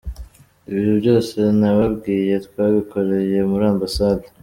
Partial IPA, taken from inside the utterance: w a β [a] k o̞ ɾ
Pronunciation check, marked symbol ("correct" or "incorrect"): incorrect